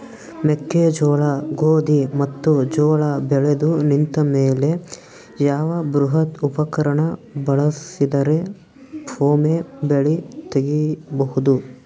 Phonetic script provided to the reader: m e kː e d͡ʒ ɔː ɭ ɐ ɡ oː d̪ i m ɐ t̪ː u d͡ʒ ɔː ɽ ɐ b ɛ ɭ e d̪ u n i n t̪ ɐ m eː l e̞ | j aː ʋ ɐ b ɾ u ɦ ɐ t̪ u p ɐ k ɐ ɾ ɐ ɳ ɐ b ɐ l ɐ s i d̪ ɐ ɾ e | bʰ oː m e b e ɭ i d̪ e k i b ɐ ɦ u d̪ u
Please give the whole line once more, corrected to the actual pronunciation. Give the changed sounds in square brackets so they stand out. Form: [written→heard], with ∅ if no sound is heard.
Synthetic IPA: m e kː e d͡ʒ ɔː ɭ ɐ ɡ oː d̪ i m ɐ t̪ː u d͡ʒ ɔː [ɽ→ɭ] ɐ b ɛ ɭ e d̪ u n i n t̪ ɐ m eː l e̞ | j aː ʋ ɐ b ɾ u ɦ ɐ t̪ u p ɐ k ɐ ɾ ɐ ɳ ɐ b ɐ [l→ɭ] ɐ s i d̪ ɐ ɾ e | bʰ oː m e b e ɭ i [d̪→t̪] e [k→ɡ] i b ɐ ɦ u d̪ u